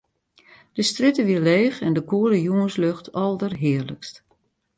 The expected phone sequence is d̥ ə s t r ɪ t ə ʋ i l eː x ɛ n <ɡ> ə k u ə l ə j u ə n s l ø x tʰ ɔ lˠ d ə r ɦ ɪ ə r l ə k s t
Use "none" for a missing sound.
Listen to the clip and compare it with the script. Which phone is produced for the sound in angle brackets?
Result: d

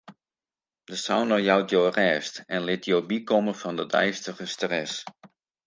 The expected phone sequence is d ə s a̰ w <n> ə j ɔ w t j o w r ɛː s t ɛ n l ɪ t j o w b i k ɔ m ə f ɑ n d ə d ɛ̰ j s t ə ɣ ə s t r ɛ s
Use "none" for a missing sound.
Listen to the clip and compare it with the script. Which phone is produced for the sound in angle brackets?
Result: n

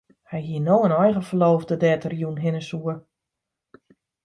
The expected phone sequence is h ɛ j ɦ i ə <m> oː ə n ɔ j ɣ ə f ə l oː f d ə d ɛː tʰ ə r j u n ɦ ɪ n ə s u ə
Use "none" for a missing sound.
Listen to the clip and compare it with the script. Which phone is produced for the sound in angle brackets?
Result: n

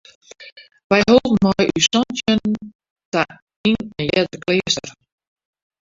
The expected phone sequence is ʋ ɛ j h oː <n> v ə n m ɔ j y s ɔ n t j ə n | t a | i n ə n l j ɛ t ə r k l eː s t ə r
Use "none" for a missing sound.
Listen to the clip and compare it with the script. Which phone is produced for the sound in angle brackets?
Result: none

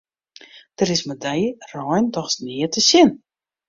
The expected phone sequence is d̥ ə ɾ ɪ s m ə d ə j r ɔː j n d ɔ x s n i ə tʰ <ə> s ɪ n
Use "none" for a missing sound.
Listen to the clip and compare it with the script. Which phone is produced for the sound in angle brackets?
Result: ə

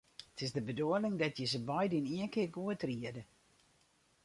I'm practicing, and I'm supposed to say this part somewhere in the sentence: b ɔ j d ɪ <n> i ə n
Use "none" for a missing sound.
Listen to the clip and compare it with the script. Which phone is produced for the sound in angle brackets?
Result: n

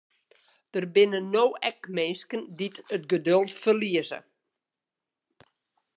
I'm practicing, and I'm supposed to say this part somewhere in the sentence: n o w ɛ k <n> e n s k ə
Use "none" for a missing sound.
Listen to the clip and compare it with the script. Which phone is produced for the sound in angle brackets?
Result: m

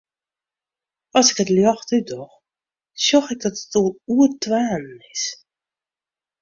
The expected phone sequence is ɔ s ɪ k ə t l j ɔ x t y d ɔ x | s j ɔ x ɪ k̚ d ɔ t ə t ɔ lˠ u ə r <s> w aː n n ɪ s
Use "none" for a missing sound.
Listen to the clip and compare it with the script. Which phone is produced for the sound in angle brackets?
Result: t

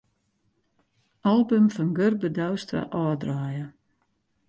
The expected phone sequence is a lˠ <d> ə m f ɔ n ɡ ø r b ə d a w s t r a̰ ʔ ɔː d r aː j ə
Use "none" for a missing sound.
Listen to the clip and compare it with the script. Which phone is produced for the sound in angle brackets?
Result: b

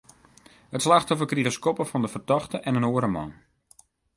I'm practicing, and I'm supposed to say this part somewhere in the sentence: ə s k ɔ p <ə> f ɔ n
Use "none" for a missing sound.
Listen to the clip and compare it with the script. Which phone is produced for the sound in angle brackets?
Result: ə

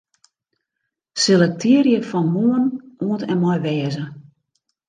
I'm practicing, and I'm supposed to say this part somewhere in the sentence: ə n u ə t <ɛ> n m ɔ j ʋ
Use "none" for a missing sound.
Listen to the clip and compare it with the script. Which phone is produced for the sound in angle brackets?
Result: ɛ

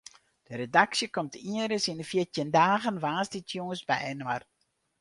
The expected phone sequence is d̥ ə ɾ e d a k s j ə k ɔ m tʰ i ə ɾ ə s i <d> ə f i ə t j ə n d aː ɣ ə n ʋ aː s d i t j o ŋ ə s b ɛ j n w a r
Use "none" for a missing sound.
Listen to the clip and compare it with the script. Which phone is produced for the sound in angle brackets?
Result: n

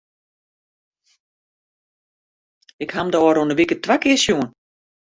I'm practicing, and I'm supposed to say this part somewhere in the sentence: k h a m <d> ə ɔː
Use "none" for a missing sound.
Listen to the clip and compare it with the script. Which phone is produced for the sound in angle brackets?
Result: d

